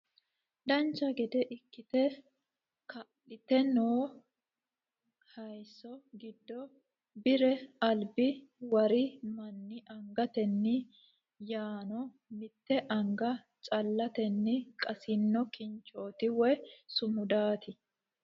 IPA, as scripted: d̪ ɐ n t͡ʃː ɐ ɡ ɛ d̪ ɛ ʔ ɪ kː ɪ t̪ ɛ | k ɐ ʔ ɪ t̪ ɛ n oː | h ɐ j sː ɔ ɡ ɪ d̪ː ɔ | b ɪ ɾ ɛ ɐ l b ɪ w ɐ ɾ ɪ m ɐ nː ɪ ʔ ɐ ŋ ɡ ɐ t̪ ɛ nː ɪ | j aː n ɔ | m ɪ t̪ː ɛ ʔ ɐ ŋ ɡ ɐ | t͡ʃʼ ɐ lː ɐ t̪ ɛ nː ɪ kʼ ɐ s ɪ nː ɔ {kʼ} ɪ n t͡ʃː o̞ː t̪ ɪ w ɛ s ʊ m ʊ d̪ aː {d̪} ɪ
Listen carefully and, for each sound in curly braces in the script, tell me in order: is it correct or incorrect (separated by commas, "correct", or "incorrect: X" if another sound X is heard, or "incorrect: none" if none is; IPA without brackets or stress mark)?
incorrect: k, incorrect: t̪